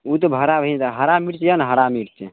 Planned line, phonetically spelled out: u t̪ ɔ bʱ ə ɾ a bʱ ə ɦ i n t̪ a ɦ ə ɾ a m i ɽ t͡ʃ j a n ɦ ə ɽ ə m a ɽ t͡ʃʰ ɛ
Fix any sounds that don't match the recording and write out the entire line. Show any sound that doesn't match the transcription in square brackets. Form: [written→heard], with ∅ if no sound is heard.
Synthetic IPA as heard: u t̪ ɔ bʱ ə ɾ a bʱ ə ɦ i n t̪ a ɦ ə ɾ a m i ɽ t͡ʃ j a n ɦ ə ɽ [ə→a] m [a→i] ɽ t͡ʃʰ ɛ